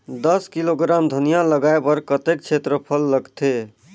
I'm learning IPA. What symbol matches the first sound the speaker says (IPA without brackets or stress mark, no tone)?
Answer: d̪